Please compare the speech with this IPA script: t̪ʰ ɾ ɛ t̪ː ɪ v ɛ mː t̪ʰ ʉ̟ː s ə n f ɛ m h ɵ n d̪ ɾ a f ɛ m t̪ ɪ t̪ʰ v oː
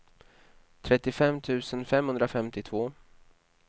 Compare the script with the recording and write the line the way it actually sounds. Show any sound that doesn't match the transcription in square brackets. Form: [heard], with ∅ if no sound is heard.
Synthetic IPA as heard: t̪ʰ ɾ ɛ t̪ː ɪ [f] ɛ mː t̪ʰ ʉ̟ː s ə n f ɛ m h ɵ n d̪ ɾ a f ɛ m t̪ ɪ t̪ʰ v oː